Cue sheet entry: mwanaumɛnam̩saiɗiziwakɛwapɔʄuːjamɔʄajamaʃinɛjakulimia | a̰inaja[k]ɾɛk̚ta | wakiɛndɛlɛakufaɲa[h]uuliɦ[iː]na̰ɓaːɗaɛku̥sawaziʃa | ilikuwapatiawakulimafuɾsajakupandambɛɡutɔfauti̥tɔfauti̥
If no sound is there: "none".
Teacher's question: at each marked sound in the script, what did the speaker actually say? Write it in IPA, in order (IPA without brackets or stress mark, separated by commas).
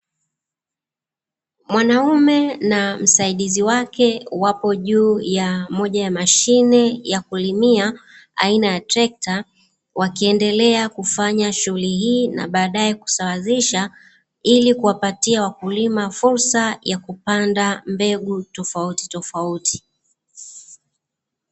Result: t, ʃ, iː